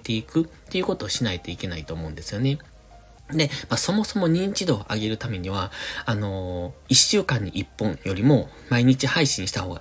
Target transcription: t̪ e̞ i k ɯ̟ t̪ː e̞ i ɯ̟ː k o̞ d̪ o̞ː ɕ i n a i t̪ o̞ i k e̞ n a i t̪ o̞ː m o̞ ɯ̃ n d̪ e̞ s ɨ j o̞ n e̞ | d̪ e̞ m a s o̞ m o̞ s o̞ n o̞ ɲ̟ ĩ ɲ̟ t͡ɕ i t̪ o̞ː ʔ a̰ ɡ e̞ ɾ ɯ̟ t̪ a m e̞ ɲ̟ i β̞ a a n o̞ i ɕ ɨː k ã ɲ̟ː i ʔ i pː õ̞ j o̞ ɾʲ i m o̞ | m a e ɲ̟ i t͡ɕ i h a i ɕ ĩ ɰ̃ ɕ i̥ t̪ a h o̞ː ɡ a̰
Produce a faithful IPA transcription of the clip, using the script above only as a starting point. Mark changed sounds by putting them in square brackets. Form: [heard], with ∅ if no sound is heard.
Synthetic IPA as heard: t̪ e̞ i k ɯ̟ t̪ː e̞ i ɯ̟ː k o̞ [t̪] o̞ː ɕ i n a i t̪ o̞ i k e̞ n a i t̪ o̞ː m o̞ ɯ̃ n d̪ e̞ s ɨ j o̞ n e̞ | d̪ e̞ m a s o̞ m o̞ s o̞ [m] o̞ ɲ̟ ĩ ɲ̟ t͡ɕ i [d̪] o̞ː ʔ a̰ ɡ e̞ ɾ ɯ̟ t̪ a m e̞ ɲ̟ i β̞ a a n o̞ i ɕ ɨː k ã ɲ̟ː i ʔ i pː õ̞ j o̞ ɾʲ i m o̞ | m a [i] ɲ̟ i t͡ɕ i h a i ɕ ĩ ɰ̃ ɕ i̥ t̪ a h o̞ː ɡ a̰